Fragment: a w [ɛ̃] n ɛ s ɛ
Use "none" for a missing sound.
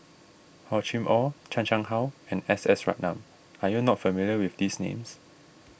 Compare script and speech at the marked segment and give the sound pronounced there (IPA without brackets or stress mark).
ɛ̃